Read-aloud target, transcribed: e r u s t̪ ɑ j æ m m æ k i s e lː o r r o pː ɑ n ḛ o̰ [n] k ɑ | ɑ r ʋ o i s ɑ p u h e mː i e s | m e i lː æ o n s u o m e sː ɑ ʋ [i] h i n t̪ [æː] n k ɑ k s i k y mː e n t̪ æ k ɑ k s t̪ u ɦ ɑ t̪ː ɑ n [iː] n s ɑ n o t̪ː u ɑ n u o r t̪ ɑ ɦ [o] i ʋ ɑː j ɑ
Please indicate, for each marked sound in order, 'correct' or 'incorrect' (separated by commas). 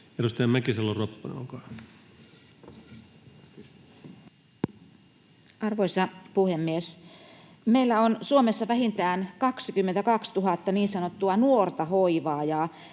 incorrect, incorrect, correct, correct, correct